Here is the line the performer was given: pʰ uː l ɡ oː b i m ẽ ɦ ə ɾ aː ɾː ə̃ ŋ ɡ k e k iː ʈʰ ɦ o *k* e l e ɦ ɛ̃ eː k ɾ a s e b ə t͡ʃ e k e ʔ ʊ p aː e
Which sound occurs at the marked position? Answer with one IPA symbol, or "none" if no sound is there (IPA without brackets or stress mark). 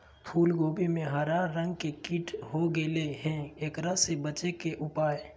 ɡ